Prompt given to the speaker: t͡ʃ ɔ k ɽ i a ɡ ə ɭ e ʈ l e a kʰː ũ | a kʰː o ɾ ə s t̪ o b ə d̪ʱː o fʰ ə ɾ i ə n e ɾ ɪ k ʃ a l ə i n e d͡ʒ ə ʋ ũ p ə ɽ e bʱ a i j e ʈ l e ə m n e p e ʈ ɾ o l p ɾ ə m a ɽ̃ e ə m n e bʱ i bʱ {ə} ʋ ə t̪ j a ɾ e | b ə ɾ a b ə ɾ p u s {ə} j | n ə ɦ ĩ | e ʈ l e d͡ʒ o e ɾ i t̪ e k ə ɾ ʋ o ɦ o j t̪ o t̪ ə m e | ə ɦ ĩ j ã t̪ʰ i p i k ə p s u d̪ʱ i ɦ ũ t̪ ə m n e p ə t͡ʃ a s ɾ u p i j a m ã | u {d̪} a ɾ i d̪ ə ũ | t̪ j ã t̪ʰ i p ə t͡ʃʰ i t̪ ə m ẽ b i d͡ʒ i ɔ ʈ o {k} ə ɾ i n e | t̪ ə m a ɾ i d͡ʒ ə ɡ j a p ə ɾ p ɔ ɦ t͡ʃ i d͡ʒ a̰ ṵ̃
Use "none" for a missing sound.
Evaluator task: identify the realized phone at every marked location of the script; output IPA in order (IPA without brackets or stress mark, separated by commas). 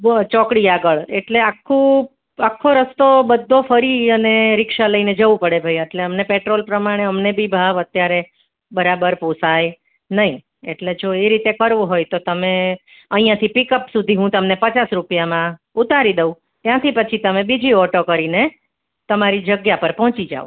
a, a, t̪, k